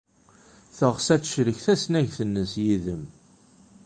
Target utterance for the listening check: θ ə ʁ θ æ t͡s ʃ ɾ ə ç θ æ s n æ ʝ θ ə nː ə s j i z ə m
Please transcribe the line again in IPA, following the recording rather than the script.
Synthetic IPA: θ ə ʁ s æ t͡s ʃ ɾ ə ç θ æ s n æ ʝ θ ə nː ə s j i ð ə m